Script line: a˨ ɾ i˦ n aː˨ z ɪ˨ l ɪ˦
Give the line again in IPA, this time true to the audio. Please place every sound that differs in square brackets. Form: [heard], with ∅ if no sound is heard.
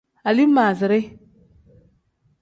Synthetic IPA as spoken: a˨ [l] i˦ [m] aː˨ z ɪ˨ [ɾ] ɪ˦